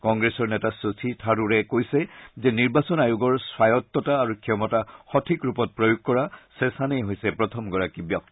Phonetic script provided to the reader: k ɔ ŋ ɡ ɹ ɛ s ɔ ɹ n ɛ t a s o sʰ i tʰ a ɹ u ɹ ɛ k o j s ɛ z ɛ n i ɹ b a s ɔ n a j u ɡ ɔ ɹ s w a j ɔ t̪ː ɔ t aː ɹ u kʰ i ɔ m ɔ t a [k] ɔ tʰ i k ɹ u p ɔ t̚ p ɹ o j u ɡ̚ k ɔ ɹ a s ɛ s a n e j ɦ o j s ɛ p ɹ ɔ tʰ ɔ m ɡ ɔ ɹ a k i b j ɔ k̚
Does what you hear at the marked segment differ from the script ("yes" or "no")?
yes